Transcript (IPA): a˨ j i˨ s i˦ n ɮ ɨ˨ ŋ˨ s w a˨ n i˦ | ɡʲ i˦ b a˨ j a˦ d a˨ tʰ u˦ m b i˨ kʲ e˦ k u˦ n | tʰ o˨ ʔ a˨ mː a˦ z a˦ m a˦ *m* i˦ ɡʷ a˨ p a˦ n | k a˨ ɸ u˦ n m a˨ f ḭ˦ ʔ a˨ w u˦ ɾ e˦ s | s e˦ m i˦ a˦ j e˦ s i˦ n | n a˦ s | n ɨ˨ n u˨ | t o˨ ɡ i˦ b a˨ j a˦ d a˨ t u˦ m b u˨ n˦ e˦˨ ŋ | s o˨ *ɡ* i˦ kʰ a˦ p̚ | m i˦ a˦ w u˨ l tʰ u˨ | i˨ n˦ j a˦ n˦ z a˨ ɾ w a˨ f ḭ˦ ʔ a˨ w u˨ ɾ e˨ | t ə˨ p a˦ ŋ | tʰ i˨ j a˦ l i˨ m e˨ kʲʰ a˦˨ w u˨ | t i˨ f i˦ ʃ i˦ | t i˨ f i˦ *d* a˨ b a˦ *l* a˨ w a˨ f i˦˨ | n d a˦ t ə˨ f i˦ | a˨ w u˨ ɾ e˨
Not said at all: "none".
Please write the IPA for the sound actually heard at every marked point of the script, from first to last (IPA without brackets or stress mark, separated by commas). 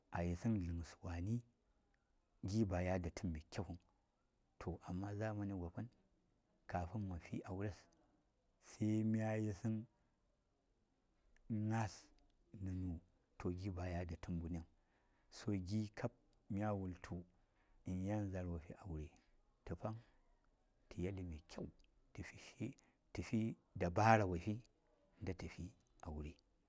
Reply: n, ɡ, d, ɾ